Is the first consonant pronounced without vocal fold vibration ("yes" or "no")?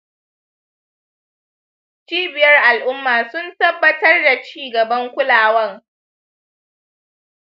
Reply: yes